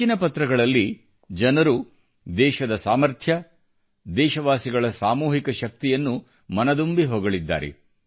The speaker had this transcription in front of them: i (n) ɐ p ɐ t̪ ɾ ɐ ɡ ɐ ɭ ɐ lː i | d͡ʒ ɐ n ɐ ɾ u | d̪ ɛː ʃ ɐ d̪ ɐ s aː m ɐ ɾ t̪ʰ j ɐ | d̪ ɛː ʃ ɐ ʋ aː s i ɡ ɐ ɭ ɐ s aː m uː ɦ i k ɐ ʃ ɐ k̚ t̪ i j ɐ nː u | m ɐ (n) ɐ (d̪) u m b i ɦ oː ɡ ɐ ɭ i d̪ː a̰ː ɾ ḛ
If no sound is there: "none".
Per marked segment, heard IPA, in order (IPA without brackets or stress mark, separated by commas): n, n, d̪